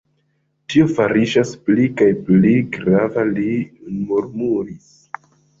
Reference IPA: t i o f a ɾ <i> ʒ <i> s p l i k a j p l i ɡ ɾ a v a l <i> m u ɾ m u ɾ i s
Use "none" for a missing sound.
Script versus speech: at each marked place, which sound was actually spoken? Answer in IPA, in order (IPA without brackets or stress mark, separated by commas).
i, a, i